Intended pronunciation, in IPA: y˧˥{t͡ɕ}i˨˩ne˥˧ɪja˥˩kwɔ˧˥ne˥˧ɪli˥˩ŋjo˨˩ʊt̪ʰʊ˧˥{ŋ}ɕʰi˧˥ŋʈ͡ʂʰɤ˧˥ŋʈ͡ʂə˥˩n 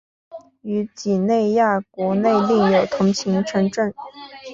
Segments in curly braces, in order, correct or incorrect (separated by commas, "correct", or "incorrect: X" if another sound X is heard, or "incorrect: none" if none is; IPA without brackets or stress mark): correct, correct